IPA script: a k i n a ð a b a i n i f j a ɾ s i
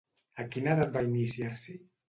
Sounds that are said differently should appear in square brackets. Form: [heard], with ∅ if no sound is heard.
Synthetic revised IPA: a k i n a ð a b a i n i [s] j a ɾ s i